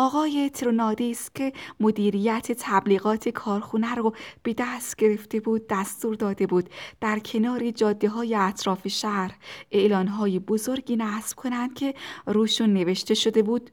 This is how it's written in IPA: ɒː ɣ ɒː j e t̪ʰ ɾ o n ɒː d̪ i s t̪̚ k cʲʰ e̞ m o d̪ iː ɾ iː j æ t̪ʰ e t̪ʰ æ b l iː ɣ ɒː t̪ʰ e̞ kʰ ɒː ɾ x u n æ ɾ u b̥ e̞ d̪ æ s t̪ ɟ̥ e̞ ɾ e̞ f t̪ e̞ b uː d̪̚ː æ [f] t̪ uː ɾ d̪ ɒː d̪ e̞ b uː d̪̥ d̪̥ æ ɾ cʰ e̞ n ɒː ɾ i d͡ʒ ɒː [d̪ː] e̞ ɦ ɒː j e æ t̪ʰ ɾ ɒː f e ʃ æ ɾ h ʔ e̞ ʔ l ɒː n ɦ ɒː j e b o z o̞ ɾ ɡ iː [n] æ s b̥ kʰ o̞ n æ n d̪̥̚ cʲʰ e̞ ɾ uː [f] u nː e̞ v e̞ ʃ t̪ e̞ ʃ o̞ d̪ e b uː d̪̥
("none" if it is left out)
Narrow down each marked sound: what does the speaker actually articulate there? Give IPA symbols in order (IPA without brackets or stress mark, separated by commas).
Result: s, d̪ː, n, ʃ